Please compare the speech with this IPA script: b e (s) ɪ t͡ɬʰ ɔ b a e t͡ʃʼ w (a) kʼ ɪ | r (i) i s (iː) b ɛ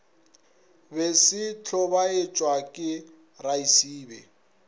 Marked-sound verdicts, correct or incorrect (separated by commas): correct, correct, incorrect, correct